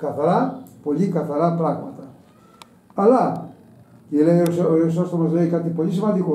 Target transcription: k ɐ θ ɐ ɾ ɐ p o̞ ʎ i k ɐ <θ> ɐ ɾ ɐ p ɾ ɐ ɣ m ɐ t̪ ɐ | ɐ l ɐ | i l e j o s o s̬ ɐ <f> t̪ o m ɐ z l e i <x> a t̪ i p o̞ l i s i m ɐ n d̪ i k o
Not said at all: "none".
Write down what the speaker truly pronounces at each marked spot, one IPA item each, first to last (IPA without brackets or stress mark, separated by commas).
θ, s, k